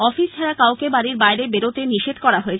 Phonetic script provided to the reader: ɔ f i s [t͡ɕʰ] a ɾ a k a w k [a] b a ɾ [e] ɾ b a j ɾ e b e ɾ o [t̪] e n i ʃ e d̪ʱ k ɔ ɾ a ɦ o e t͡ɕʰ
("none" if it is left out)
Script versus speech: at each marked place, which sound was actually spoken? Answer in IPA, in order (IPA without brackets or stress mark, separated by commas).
t͡ɕʰ, e, i, t̪